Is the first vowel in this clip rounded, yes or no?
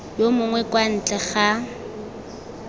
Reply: yes